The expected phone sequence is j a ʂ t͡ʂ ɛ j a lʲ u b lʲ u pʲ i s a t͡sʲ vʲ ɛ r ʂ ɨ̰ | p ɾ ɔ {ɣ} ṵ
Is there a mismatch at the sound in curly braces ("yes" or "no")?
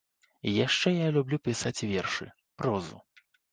yes